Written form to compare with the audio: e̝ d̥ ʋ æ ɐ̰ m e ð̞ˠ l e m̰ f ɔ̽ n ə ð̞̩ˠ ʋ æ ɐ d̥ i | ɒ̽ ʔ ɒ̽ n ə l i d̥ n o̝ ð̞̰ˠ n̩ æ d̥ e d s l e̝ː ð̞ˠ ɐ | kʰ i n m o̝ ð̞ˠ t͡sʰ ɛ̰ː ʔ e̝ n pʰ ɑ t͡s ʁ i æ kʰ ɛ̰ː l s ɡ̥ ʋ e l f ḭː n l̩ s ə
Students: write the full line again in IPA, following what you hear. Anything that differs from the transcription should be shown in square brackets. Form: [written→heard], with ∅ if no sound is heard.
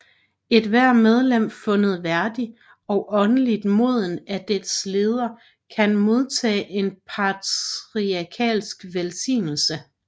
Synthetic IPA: e̝ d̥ ʋ æ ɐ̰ m e ð̞ˠ l e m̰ f ɔ̽ n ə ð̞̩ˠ ʋ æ ɐ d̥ i | ɒ̽ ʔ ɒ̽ n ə l i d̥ [n→m] o̝ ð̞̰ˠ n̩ æ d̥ e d s l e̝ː ð̞ˠ ɐ | kʰ [i→æ] n m o̝ ð̞ˠ t͡sʰ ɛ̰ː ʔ e̝ n pʰ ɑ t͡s ʁ i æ kʰ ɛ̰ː l s ɡ̥ ʋ e l [f→s] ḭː n l̩ s ə

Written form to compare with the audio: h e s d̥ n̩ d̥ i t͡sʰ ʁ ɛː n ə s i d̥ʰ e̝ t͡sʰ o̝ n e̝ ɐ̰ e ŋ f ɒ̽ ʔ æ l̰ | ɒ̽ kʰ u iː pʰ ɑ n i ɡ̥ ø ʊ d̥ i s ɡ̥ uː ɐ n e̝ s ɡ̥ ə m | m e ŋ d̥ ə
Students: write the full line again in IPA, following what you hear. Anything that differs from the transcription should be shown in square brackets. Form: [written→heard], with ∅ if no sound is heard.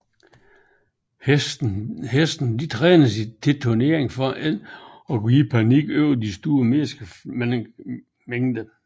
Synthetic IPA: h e s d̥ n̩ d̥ i t͡sʰ ʁ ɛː n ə s i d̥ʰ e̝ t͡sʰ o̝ n e̝ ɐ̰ e ŋ f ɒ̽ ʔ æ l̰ | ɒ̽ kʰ u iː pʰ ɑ n i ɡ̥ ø ʊ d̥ i s [ɡ̥→d̥] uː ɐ [n→m] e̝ s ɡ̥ ə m | m e ŋ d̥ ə

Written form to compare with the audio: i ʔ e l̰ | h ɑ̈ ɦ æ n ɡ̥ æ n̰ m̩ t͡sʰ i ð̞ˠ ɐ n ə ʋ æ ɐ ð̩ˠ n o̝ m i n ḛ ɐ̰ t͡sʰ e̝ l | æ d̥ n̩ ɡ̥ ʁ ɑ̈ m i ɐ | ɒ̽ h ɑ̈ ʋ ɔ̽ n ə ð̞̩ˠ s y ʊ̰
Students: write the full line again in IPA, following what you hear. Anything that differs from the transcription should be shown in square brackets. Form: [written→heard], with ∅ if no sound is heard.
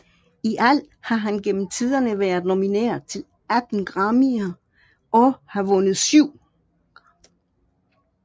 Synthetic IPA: i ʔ [e→æ] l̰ | h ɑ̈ ɦ æ n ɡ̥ [æ→e] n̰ m̩ t͡sʰ i ð̞ˠ ɐ n ə ʋ æ ɐ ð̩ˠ n o̝ m i n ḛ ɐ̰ t͡sʰ e̝ l | æ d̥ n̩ ɡ̥ ʁ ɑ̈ m i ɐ | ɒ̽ h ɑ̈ ʋ ɔ̽ n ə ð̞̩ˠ s y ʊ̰

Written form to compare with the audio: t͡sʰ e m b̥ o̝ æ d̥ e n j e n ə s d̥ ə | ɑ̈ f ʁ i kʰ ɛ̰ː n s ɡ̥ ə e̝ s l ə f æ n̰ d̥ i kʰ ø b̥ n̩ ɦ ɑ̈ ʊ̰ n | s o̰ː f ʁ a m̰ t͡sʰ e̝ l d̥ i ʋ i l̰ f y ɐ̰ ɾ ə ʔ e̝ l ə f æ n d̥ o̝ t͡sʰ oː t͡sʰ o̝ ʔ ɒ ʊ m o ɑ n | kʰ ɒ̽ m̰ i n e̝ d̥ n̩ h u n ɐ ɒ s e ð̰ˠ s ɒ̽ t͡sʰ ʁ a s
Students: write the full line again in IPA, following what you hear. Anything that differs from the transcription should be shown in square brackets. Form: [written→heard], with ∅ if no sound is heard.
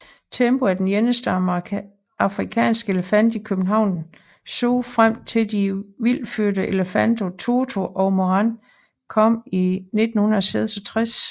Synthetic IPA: t͡sʰ e m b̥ o̝ æ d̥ e n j e n ə s d̥ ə | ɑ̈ f ʁ i kʰ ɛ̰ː n s ɡ̥ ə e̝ [s→∅] l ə f æ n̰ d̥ i kʰ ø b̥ n̩ ɦ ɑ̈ ʊ̰ n | s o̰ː f ʁ a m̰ t͡sʰ e̝ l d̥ i ʋ i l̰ f y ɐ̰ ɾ ə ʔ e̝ l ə f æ n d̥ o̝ t͡sʰ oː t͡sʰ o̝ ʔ ɒ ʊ m o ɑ n | kʰ ɒ̽ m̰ i n e̝ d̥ n̩ h u n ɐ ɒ s e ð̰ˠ s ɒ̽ t͡sʰ ʁ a s

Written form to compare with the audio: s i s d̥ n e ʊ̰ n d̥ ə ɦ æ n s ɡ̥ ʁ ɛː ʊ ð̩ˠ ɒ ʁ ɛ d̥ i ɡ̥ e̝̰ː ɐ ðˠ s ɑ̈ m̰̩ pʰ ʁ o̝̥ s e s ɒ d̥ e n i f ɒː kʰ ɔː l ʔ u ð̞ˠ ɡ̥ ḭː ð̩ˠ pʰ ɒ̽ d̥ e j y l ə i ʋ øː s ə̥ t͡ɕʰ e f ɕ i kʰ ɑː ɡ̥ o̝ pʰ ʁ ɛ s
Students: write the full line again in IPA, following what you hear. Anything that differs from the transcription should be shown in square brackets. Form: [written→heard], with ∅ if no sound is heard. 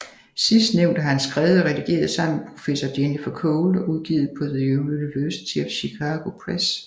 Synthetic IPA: s i s d̥ n e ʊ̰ n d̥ ə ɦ æ n s ɡ̥ ʁ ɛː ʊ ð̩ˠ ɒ ʁ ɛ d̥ i ɡ̥ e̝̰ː ɐ ðˠ s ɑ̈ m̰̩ pʰ ʁ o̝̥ [s→f] e s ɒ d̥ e n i f [ɒː→ɒ] kʰ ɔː l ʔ u ð̞ˠ ɡ̥ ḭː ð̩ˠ pʰ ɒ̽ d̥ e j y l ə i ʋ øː s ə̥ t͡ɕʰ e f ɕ i kʰ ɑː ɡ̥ o̝ pʰ ʁ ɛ s

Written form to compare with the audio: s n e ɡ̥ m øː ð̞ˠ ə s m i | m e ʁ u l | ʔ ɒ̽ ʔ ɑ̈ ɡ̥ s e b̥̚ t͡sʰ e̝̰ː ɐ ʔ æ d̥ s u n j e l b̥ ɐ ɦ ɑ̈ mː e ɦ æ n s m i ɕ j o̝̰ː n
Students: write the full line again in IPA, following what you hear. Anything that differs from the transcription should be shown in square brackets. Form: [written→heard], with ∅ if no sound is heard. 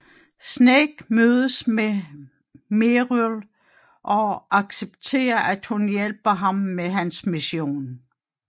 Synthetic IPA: s n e ɡ̥ m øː ð̞ˠ ə s m [i→e] | m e ʁ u l | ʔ ɒ̽ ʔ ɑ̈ ɡ̥ s e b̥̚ t͡sʰ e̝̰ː ɐ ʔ æ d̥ [s→h] u n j e l b̥ ɐ ɦ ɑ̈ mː e ɦ æ n s m i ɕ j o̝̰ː n

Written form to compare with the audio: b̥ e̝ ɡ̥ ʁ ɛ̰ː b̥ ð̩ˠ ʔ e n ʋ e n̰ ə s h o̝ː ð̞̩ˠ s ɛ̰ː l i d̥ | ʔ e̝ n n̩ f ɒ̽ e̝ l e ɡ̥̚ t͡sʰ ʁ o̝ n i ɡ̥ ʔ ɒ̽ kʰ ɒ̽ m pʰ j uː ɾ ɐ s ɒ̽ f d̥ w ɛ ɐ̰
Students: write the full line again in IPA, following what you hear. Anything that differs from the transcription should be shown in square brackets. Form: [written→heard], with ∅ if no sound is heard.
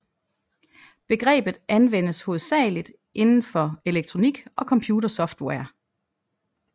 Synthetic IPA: b̥ e̝ ɡ̥ ʁ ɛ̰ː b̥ ð̩ˠ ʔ [e→æ] n ʋ e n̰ ə s h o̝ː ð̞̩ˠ s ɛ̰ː l i d̥ | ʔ e̝ n n̩ f ɒ̽ e̝ l e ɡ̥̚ t͡sʰ ʁ o̝ n i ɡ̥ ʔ ɒ̽ kʰ ɒ̽ m pʰ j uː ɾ ɐ s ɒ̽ f d̥ w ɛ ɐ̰

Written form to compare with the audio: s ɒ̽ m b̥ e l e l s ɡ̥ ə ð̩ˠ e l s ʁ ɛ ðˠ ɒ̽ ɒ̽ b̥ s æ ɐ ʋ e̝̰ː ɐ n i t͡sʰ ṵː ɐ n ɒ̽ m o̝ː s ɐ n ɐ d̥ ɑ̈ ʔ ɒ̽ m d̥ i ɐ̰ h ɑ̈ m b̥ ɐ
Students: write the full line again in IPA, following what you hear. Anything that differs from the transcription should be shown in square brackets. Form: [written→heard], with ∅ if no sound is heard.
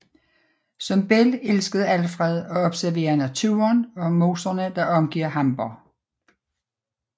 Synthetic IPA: s ɒ̽ m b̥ e l e l s ɡ̥ ə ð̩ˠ [e→æ] l [s→f] ʁ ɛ ðˠ ɒ̽ ɒ̽ b̥ s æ ɐ ʋ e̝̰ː ɐ n [i→æ] t͡sʰ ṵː ɐ n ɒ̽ m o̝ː s ɐ n [ɐ→ə] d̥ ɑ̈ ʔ ɒ̽ m [d̥→ɡ̥] i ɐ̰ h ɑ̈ m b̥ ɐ

